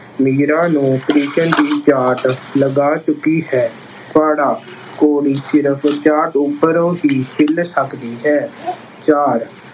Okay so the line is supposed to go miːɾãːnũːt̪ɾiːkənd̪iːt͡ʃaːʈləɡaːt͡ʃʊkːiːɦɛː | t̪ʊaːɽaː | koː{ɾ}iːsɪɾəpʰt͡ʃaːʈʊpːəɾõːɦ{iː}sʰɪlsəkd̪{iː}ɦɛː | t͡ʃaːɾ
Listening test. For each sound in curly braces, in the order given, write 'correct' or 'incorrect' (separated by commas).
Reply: incorrect, correct, correct